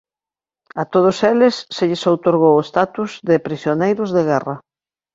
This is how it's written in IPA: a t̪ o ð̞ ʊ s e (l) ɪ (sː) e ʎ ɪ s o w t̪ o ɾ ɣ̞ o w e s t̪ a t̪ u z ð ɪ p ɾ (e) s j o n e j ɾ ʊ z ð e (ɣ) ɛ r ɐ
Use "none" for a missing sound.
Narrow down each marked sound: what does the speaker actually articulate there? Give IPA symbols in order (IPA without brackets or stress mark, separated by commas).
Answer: l, sː, i, ɣ